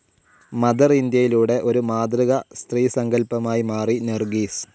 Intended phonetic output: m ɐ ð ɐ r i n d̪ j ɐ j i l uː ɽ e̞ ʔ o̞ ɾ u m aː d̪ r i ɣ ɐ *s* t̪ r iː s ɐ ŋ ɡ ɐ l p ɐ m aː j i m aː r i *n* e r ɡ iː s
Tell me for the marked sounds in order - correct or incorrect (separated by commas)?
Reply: correct, correct